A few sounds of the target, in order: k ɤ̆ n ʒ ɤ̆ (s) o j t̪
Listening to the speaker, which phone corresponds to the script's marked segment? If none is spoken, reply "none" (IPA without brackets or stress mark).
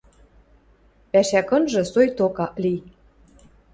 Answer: s